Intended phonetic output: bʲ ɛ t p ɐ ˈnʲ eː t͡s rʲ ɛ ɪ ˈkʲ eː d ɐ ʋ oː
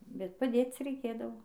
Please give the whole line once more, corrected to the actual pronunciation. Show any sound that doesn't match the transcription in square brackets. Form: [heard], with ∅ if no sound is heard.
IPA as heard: bʲ ɛ t p ɐ [ˈdʲ] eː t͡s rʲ ɛ ɪ ˈkʲ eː d ɐ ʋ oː